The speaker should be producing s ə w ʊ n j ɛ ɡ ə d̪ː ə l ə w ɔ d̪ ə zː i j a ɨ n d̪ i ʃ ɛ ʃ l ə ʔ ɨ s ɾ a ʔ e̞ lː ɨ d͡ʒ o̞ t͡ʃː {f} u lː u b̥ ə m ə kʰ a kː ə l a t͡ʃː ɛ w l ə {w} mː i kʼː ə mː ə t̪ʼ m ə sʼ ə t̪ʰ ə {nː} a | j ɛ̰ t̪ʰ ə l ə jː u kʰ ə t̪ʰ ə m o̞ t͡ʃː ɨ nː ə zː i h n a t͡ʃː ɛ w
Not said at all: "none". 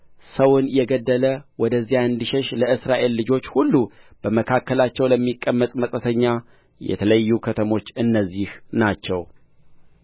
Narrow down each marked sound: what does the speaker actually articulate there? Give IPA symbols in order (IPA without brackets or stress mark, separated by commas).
h, none, ɲː